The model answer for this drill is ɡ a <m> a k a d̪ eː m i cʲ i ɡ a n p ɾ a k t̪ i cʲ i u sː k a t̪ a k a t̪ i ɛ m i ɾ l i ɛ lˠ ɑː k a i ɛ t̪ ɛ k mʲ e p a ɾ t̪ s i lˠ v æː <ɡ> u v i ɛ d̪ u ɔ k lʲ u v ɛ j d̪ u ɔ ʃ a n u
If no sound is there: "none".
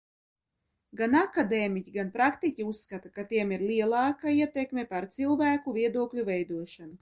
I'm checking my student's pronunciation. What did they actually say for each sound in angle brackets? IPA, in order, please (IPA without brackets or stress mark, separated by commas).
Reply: n, k